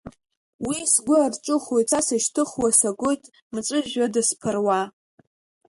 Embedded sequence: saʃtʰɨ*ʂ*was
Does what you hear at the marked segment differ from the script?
yes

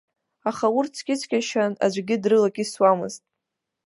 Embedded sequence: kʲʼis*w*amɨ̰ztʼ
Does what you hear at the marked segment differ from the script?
no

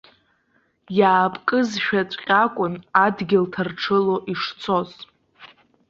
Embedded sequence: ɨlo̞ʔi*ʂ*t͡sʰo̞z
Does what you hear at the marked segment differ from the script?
no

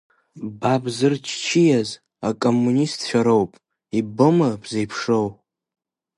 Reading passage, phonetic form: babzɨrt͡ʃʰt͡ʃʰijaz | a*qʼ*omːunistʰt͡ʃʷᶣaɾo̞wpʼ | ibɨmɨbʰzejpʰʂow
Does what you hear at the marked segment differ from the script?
yes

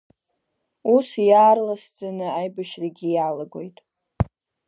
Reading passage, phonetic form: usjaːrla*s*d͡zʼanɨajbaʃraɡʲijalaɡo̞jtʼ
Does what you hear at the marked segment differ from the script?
no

